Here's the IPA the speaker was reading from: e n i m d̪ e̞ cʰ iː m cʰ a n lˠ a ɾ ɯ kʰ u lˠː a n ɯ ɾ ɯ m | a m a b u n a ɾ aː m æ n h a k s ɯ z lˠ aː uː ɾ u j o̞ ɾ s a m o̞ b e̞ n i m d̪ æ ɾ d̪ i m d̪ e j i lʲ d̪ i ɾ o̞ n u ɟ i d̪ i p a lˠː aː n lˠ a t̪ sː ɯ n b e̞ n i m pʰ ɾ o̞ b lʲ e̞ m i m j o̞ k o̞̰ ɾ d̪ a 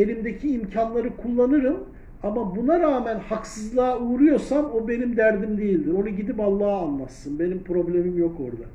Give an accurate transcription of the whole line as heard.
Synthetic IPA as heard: e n i m d̪ e̞ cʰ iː m cʰ a n lˠ a ɾ ɯ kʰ u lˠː a n ɯ ɾ ɯ m | a m a b u n a ɾ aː m æ n h a k s ɯ z lˠ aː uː ɾ u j o̞ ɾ s a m o̞ b e̞ n i m d̪ æ ɾ d̪ i m d̪ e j i lʲ d̪ i ɾ o̞ n u ɟ i d̪ i p a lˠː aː n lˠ a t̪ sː ɯ n b e̞ n i m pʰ ɾ o̞ b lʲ e̞ m i m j o̞ k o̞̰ ɾ d̪ a